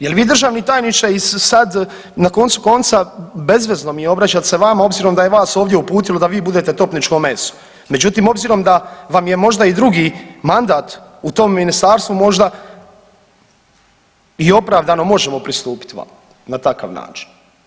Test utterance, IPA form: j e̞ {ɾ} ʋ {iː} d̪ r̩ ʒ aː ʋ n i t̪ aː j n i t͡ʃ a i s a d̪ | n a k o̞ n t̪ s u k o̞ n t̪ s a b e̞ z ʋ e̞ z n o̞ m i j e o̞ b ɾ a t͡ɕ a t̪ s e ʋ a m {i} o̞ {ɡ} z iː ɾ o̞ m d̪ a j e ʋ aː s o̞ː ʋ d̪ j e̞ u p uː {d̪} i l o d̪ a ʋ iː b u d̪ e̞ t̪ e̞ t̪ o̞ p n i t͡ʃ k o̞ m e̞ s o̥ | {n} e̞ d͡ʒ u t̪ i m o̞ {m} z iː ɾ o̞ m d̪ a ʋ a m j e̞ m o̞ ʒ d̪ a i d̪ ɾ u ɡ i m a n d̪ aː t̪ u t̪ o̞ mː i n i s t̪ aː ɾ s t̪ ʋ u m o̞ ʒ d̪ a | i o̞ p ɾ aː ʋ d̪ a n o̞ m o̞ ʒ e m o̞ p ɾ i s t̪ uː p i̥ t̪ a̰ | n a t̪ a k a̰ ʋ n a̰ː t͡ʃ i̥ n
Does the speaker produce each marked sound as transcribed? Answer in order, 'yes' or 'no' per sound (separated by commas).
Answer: no, yes, no, no, no, no, no